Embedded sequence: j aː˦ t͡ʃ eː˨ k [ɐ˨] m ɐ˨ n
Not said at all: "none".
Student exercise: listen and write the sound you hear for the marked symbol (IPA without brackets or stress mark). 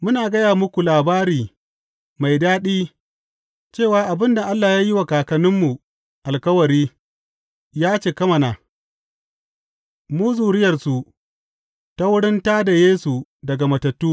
ɐ˦